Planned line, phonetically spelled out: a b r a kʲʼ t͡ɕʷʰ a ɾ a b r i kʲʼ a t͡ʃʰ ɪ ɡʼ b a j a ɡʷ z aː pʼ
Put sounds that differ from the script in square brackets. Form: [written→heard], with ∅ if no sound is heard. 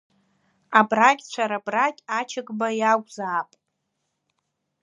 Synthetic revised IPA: a b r a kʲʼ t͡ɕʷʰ a ɾ a b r [i→a] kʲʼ a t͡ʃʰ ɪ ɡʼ b a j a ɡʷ z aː pʼ